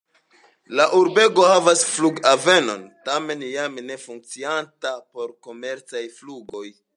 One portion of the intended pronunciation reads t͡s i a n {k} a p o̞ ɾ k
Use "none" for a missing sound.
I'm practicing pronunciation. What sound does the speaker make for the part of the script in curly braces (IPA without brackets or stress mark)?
t